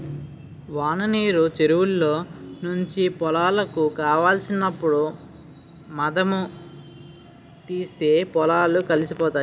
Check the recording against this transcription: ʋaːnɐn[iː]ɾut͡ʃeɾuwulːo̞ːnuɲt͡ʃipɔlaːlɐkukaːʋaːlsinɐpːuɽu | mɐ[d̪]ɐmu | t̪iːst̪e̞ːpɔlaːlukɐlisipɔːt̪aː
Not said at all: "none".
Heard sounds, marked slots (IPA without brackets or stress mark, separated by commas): iː, d̪